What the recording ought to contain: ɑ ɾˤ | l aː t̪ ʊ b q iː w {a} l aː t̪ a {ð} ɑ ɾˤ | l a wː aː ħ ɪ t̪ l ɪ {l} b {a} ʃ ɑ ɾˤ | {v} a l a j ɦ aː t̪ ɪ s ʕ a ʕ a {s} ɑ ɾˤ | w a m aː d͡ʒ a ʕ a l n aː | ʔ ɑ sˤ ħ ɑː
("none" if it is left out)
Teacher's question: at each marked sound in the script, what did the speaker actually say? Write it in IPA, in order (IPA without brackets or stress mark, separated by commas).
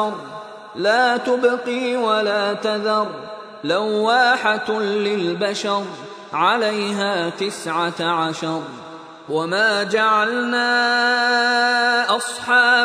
a, ð, l, a, ʕ, ʃ